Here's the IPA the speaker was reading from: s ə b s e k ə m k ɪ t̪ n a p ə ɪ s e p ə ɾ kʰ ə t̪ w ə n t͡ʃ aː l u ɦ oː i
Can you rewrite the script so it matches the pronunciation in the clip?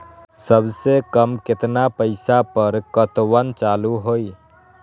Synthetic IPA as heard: s ə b s e k ə m k ɪ t̪ n a p ə ɪ s a p ə ɾ k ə t̪ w ə n t͡ʃ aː l u ɦ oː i